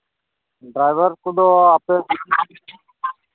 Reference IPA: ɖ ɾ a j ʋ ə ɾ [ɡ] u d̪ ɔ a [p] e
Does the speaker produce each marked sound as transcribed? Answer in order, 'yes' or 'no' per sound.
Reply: no, yes

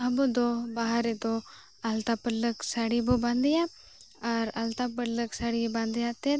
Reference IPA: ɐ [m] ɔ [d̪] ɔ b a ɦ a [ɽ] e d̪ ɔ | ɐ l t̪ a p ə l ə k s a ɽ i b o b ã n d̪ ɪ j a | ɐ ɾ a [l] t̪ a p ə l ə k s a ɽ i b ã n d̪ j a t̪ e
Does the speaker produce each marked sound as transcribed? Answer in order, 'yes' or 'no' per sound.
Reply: no, yes, no, yes

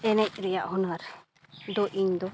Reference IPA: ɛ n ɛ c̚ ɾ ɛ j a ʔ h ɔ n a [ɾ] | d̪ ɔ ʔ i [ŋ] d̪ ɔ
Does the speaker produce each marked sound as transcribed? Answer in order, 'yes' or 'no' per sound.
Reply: yes, no

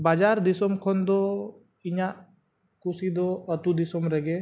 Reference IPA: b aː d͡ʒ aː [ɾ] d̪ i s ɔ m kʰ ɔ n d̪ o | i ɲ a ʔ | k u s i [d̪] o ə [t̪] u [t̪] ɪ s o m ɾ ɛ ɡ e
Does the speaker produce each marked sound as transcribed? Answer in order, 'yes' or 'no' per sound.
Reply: yes, yes, yes, no

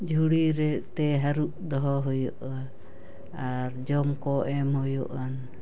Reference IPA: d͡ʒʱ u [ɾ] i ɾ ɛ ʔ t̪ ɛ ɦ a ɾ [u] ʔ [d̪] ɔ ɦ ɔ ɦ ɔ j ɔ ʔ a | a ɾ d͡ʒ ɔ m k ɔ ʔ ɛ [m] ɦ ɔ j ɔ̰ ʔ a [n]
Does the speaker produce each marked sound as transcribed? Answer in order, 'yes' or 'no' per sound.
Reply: no, yes, yes, yes, yes

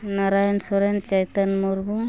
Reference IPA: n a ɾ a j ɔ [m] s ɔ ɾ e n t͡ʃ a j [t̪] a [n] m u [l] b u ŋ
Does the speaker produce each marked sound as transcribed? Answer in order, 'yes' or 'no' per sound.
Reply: no, yes, yes, no

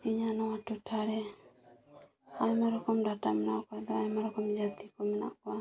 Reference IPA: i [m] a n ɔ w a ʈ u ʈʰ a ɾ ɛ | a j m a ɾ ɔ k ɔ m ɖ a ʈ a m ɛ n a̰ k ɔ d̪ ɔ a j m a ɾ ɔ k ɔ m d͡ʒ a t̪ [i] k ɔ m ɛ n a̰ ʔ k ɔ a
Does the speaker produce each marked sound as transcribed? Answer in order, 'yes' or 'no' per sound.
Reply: no, yes

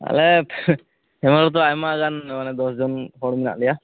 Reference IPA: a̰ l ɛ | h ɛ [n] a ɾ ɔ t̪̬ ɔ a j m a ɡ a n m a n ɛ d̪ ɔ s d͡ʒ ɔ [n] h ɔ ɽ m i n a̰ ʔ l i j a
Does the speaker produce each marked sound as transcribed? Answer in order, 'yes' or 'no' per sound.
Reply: no, yes

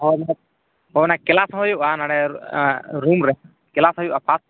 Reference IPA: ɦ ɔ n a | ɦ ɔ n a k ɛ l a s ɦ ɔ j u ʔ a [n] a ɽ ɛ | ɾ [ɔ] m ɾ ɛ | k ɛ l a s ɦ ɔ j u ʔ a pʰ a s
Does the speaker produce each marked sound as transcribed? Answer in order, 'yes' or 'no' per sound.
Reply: yes, no

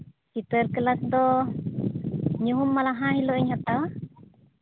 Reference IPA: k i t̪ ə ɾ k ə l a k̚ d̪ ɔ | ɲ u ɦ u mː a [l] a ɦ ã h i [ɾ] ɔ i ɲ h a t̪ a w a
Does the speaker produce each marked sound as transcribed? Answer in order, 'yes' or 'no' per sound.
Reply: yes, no

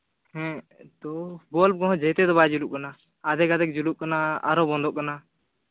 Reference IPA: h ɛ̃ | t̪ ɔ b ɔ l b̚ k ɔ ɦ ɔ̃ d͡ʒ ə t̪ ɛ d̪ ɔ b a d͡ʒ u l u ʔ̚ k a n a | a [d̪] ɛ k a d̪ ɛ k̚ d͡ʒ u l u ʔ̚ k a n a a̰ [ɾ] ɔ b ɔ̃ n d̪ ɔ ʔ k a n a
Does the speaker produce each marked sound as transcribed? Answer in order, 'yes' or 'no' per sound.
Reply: yes, yes

